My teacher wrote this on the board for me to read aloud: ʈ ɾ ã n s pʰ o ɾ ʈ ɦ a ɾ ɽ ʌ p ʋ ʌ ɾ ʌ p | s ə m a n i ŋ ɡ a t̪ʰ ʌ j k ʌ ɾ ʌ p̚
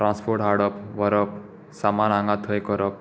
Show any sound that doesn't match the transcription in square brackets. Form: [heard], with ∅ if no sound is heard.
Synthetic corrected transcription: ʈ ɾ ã n s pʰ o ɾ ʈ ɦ a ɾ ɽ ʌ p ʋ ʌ ɾ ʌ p | s [a] m a n [a] ŋ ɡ a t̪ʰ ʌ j k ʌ ɾ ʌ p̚